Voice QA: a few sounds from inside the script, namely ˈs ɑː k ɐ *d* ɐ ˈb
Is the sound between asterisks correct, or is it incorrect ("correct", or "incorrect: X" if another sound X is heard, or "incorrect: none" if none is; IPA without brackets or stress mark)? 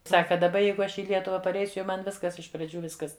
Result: correct